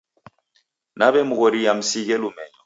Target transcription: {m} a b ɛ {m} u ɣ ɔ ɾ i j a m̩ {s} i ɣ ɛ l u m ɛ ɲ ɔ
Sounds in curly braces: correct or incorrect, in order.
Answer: incorrect: n, correct, correct

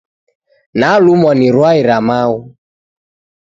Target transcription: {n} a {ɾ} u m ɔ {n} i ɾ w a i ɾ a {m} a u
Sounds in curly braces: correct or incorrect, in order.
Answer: correct, incorrect: l, correct, correct

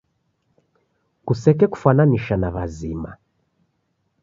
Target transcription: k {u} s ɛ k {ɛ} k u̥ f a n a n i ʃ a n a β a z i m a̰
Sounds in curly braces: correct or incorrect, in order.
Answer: correct, correct

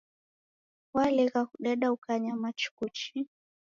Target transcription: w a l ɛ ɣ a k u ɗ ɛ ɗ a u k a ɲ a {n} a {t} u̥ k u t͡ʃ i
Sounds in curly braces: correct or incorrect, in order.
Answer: incorrect: m, incorrect: t͡ʃ

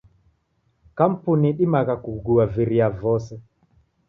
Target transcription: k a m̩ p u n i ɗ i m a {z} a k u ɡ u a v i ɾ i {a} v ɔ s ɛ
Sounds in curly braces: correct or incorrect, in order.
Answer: incorrect: ɣ, correct

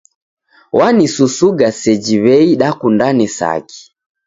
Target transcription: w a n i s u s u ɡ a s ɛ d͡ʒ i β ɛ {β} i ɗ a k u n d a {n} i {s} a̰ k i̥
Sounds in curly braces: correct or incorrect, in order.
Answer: incorrect: none, correct, correct

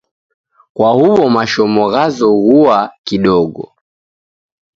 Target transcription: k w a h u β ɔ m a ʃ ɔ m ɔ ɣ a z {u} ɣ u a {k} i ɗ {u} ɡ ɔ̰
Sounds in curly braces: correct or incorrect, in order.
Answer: incorrect: ɔ, correct, incorrect: ɔ

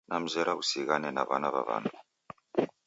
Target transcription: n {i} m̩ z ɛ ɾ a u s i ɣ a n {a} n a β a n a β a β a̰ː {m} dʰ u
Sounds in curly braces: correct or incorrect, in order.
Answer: incorrect: a, incorrect: ɛ, incorrect: n

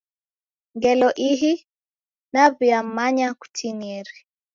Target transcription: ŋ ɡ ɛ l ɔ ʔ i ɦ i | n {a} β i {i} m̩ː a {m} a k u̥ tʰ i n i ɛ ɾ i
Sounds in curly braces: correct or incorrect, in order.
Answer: correct, incorrect: a, incorrect: ɲ

